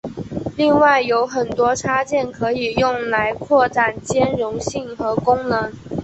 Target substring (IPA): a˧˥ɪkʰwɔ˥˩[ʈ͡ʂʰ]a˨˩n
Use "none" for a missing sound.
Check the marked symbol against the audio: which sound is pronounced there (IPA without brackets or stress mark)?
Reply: ʈ͡ʂ